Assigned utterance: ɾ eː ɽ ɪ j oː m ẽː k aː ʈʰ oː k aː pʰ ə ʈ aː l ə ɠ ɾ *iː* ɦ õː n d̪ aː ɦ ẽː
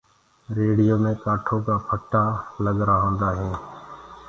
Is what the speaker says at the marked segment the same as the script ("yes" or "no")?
no